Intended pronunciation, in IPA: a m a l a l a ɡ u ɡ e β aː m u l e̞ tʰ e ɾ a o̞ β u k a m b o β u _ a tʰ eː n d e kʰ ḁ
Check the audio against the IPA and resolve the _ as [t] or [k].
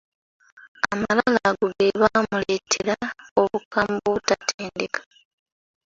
t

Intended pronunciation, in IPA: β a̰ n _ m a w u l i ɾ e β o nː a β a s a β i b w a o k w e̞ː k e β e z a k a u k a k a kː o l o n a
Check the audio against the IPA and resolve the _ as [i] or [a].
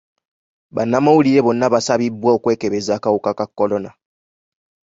a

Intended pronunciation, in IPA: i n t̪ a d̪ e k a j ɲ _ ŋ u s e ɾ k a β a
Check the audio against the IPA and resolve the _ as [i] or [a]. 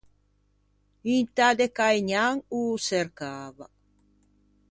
a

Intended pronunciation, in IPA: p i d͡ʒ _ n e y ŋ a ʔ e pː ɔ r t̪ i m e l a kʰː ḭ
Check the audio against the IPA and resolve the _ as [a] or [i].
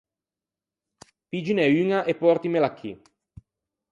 i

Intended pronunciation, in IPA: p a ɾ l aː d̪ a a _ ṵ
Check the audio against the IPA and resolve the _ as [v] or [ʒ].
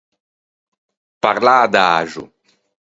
ʒ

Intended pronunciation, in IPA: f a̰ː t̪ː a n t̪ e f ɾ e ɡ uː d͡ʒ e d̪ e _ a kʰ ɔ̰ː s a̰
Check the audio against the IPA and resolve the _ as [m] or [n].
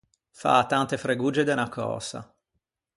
n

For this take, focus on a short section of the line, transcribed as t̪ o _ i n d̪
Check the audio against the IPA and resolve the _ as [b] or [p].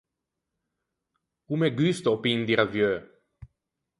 p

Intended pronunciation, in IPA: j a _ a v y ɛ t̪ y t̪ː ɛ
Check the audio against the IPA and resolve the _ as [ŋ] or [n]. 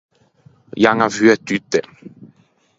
ŋ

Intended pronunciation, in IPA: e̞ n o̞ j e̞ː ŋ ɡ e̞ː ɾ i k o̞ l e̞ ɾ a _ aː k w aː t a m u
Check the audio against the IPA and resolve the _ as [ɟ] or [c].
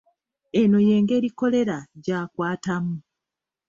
ɟ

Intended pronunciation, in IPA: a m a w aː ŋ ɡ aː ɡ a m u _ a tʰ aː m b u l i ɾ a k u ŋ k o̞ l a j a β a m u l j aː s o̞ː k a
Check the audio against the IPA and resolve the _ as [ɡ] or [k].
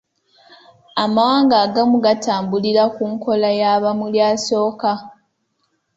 ɡ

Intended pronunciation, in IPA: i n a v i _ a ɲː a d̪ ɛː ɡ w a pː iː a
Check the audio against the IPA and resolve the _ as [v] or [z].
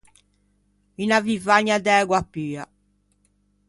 v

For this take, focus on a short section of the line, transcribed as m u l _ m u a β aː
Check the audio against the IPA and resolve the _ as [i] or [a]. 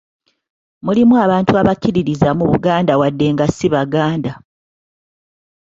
i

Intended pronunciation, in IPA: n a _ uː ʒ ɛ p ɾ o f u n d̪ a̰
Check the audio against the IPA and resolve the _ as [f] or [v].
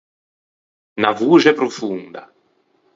v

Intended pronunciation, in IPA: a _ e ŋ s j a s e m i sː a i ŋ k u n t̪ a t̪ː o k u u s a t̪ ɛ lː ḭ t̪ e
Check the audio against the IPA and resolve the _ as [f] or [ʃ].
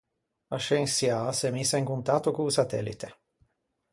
ʃ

